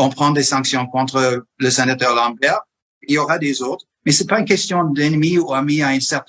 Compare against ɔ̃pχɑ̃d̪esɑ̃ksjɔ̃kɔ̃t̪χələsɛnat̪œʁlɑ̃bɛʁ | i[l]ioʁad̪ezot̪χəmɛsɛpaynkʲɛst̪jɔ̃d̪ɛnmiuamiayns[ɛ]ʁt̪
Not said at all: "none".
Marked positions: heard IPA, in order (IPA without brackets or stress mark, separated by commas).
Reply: l, ɛ